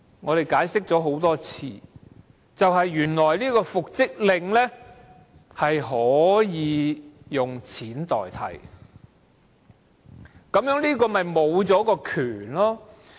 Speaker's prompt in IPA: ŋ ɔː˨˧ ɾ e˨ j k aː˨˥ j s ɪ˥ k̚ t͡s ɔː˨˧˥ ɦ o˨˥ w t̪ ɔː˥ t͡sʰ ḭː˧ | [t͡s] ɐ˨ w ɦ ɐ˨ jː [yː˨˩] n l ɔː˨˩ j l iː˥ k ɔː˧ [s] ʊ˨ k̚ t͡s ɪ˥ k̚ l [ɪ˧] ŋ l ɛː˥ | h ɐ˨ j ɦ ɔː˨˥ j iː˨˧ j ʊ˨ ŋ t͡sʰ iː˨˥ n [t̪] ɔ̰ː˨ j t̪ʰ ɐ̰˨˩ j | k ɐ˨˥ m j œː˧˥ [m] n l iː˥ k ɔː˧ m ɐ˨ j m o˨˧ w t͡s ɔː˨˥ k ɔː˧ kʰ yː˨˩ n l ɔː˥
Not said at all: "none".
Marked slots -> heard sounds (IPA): t͡s, yː˨˩, f, ɪ˧, t̪, ŋ

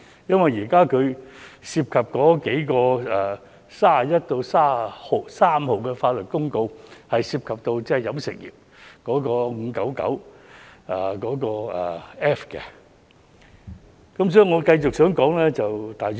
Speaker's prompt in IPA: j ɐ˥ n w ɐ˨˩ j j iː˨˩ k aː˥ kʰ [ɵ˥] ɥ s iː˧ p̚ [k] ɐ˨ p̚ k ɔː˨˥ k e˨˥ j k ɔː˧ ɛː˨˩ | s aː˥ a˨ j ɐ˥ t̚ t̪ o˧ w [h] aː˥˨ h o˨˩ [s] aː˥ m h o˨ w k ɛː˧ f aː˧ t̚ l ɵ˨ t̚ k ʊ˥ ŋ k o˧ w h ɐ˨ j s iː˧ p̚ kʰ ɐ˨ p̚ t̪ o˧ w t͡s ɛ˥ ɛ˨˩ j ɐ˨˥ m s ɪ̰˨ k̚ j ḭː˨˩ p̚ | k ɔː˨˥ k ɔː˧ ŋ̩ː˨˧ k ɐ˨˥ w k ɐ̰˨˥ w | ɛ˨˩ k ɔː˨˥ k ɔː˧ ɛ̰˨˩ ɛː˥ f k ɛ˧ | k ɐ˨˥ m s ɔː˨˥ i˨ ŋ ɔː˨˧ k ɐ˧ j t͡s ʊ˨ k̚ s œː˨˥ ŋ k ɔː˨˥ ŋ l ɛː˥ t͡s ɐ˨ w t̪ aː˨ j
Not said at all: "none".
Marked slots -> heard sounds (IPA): ɵ˨˧, kʰ, s, s

